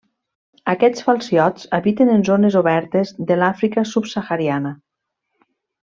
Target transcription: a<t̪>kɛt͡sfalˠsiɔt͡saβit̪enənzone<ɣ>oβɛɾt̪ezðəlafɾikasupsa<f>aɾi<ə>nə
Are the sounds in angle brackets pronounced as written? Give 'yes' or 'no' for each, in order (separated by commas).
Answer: no, no, no, no